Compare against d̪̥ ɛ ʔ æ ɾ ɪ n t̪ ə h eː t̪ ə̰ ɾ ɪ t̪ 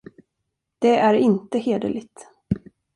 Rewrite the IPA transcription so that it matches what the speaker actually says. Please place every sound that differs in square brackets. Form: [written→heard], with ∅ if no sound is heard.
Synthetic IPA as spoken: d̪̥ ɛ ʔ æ ɾ ɪ n t̪ ə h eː [t̪→d̪] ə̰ [ɾ→l] ɪ t̪

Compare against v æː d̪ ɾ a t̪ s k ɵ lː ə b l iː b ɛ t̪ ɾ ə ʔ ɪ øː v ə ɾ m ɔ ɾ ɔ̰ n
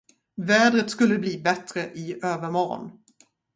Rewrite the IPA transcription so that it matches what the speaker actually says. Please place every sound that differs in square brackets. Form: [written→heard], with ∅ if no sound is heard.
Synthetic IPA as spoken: v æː d̪ ɾ [a→ə] t̪ s k ɵ lː ə b l iː b ɛ t̪ ɾ ə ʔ ɪ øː v ə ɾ m ɔ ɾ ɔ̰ n

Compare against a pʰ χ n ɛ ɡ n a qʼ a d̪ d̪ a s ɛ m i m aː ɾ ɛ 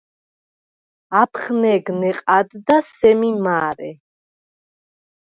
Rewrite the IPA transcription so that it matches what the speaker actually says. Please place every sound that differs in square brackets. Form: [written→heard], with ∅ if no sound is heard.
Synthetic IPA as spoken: a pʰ χ n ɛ ɡ n [a→ɛ] qʼ a d̪ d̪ a s ɛ m i m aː ɾ ɛ

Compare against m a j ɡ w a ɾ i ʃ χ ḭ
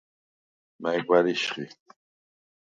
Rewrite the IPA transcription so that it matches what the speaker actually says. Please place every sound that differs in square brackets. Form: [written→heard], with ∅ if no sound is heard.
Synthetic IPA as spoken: m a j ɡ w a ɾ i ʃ χ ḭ

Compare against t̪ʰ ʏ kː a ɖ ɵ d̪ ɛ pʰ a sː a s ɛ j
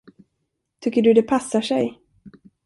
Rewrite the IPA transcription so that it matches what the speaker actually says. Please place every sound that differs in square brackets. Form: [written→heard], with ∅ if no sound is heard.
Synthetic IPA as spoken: t̪ʰ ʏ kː [a→ə] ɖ ɵ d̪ ɛ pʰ a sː a [s→ʂ] ɛ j

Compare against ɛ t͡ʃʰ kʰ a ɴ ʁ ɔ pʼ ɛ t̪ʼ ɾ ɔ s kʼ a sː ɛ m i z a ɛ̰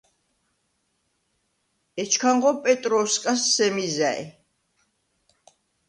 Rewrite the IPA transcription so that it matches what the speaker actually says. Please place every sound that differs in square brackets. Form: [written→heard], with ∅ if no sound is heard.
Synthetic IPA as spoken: ɛ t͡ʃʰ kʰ a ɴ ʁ ɔ pʼ ɛ t̪ʼ ɾ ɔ s kʼ a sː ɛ m i z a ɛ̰

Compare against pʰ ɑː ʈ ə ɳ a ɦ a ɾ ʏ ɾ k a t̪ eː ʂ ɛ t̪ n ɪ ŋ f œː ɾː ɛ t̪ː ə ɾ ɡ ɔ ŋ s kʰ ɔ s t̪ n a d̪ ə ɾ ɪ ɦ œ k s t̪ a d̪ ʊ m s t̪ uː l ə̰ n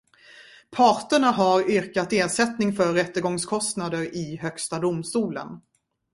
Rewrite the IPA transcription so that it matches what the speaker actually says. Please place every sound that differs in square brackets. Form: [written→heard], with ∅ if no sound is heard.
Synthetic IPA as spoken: pʰ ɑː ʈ ə ɳ a ɦ a ɾ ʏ ɾ k a t̪ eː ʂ ɛ t̪ n ɪ ŋ f [œː→œ] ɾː ɛ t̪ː ə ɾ ɡ ɔ ŋ s kʰ ɔ s t̪ n a d̪ ə ɾ ɪ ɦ œ k s t̪ a d̪ ʊ m s t̪ uː l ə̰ n

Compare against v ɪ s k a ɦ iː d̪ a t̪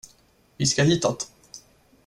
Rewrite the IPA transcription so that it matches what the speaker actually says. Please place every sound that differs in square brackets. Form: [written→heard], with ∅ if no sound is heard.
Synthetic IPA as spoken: v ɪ s k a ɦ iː [d̪→t̪] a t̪

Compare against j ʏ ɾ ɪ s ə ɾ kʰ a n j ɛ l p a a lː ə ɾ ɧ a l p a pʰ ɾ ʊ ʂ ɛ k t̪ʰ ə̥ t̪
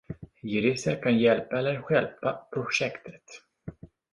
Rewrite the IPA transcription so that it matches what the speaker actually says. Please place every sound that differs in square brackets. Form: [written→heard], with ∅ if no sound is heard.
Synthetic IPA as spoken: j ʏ ɾ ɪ s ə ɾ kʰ a n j ɛ l p a [a→ɛ] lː ə ɾ ɧ [a→ɛ] l p a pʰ ɾ ʊ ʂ ɛ k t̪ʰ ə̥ t̪

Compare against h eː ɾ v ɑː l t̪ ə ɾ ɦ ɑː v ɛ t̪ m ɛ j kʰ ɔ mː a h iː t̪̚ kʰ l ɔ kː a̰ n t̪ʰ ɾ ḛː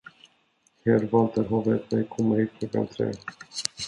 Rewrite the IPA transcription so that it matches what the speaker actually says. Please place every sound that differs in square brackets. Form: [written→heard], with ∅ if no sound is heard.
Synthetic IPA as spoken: h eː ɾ v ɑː l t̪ ə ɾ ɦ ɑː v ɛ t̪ m ɛ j kʰ ɔ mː a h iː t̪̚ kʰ l ɔ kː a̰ n t̪ʰ ɾ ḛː

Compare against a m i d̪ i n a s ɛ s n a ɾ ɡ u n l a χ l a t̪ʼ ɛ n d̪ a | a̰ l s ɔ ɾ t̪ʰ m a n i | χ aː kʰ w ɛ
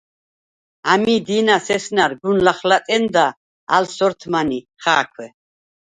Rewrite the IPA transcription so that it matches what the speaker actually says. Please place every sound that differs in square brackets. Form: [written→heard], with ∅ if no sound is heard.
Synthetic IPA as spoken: a m i d̪ i n a s ɛ s n a ɾ ɡ u n l a χ l a t̪ʼ ɛ n d̪ a | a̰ l s ɔ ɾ t̪ʰ m a n i | χ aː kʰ w ɛ

